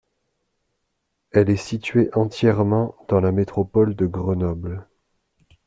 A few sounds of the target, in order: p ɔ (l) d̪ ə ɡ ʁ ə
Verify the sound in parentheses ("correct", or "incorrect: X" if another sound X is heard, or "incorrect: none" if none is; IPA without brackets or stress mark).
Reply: correct